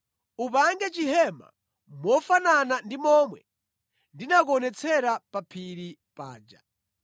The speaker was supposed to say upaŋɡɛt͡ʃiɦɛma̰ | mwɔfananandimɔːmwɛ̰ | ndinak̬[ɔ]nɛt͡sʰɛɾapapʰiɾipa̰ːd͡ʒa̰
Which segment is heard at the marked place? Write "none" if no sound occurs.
ɔ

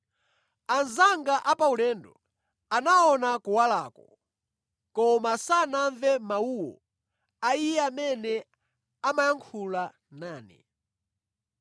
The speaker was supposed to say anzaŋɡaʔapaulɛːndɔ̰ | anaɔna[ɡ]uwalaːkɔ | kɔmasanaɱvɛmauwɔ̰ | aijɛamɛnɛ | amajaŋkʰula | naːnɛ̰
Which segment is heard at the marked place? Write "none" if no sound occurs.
k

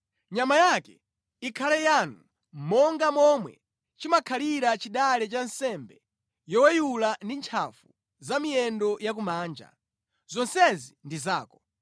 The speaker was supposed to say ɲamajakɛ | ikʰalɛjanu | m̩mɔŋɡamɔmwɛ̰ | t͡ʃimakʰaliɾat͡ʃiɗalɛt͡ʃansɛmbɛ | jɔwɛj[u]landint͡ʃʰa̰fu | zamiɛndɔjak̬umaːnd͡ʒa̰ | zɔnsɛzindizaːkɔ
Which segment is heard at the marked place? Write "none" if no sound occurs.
u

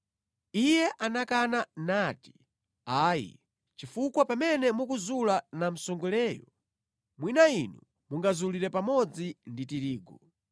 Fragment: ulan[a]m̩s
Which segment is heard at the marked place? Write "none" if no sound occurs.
a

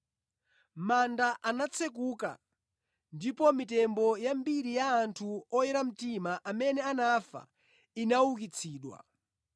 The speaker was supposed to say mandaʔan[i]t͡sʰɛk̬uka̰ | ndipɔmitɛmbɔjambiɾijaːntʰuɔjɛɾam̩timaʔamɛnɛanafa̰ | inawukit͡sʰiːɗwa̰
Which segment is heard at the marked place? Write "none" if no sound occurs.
a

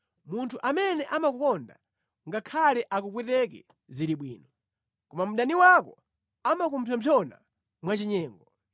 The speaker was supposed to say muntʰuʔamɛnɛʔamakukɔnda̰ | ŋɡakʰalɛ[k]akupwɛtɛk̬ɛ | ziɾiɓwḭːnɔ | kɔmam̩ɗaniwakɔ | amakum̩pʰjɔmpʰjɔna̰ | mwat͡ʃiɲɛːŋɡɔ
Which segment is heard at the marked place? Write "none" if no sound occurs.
ʔ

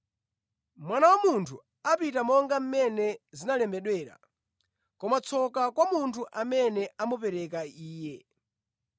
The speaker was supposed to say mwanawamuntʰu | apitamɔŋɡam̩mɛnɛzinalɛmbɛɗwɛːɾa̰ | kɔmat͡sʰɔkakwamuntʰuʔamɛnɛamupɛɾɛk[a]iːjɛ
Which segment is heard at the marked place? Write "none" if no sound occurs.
a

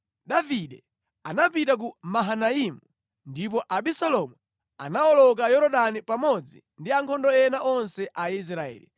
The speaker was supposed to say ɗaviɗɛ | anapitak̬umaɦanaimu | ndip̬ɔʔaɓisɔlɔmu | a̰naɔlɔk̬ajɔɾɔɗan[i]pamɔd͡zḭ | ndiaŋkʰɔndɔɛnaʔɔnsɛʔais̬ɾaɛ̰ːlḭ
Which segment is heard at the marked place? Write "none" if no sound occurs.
i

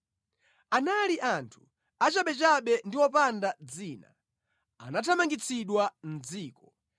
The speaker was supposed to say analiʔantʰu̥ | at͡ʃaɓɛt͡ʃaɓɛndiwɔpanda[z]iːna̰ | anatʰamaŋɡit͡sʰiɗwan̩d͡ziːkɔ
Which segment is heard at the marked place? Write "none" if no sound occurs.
d͡z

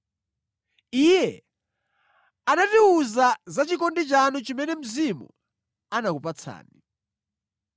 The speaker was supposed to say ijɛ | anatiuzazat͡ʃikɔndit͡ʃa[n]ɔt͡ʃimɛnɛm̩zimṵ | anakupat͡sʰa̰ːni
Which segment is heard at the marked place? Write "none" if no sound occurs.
n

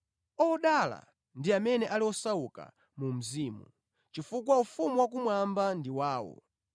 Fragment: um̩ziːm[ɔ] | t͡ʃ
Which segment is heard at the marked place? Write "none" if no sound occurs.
u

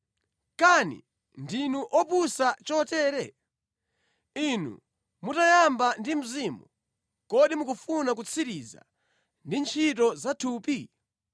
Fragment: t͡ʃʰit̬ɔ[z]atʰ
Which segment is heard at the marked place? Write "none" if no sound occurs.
z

